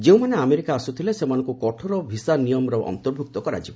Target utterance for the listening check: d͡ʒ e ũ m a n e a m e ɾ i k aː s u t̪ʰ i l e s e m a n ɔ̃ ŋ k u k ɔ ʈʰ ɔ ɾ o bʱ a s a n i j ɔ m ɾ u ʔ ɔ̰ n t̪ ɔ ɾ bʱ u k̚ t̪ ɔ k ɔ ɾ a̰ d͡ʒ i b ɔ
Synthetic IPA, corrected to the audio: d͡ʒ e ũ m a n e a m e ɾ i k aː s u t̪ʰ i l e s e m a n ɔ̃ ŋ k u k ɔ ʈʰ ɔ ɾ ɔ bʱ i s a n i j ɔ m ɾ ɔ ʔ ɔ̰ n t̪ ɔ ɾ bʱ u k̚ t̪ ɔ k ɔ ɾ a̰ d͡ʒ i b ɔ